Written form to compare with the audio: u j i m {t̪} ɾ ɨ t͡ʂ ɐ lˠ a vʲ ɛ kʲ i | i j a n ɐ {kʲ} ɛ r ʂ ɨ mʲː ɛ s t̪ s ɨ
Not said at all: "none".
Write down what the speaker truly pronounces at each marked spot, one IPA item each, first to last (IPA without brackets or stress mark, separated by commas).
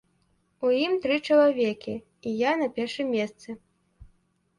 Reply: t̪, pʲ